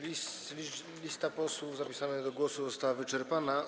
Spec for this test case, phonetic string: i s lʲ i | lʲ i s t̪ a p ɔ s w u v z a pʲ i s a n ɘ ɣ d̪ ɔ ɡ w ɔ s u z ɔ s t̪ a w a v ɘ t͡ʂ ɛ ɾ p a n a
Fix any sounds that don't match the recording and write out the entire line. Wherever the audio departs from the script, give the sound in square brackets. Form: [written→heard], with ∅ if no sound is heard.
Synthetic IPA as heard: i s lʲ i | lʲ i s t̪ a p ɔ s w u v z a pʲ i s a n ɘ ɣ d̪ ɔ ɡ w ɔ s u z ɔ s t̪ a w a v ɘ t͡ʂ ɛ ɾ p a n a